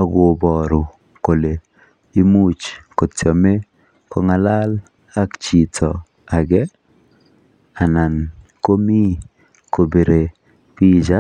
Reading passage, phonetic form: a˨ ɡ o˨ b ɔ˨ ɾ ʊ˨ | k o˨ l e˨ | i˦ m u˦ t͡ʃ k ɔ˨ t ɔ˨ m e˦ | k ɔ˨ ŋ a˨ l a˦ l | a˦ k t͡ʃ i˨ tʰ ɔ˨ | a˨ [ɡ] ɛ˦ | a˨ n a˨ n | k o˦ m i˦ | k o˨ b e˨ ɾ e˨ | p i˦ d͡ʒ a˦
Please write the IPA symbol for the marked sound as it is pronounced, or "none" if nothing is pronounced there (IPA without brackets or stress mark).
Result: ɡ